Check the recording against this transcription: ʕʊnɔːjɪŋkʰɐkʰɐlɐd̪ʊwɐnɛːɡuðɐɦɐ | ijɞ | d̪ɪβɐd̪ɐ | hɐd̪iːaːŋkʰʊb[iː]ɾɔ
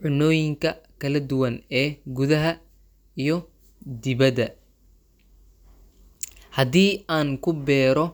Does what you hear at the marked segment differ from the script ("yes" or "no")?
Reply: yes